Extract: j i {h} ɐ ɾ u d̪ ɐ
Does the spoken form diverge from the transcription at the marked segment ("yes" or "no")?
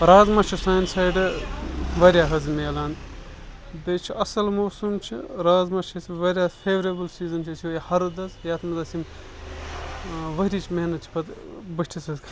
no